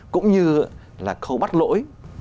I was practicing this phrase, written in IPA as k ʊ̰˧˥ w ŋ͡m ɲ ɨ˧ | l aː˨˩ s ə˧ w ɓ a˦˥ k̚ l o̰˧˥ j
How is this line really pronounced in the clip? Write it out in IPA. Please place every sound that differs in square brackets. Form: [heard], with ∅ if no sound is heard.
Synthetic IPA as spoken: k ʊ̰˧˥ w ŋ͡m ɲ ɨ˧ | l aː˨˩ [x] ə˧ w ɓ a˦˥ [t̚] l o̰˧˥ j